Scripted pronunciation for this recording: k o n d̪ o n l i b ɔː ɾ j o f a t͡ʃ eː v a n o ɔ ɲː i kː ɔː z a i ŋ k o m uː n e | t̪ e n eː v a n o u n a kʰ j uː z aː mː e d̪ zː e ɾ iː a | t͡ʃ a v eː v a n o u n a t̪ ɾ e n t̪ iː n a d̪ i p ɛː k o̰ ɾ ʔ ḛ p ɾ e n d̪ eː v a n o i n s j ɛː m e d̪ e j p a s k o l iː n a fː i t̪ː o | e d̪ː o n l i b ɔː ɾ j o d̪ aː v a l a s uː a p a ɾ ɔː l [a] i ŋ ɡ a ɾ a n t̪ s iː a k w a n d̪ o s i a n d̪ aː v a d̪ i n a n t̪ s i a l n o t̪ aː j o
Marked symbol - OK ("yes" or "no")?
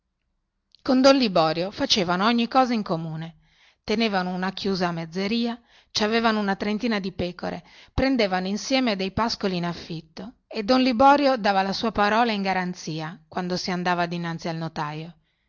yes